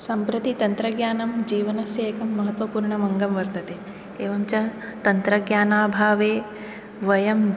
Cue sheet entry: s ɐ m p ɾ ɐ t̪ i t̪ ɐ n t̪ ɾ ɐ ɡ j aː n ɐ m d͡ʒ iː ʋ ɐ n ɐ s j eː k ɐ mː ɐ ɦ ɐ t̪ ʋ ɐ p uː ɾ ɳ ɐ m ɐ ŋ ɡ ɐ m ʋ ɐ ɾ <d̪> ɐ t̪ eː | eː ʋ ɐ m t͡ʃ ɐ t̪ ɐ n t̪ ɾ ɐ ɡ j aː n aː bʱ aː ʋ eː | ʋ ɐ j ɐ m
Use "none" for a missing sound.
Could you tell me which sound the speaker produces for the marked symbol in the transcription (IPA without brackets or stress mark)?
t̪